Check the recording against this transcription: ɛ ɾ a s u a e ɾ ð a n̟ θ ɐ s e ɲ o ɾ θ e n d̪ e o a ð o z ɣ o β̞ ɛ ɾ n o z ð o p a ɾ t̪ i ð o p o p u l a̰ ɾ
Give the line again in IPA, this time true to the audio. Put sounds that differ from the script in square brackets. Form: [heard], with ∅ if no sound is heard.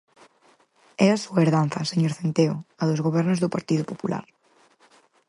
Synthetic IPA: ɛ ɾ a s u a e ɾ ð a n̟ θ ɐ s e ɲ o ɾ θ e n [t̪] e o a ð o z ɣ o β̞ ɛ ɾ n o z ð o p a ɾ t̪ i ð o p o p u l a̰ ɾ